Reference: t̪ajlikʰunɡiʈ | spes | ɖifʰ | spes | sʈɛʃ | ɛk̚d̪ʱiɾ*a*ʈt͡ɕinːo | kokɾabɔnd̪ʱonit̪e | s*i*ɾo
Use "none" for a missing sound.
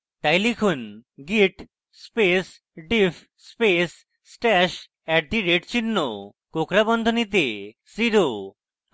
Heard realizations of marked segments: e, i

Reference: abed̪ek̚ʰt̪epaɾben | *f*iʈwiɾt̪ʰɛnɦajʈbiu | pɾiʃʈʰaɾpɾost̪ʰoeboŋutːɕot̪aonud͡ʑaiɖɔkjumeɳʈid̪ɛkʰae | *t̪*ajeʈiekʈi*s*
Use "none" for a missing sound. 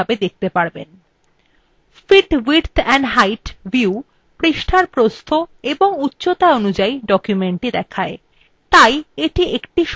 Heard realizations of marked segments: f, t̪, ʃ

